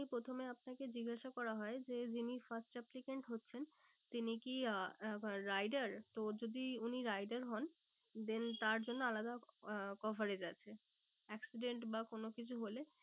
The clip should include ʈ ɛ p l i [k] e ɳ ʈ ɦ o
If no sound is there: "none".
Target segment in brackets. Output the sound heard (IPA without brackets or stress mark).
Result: k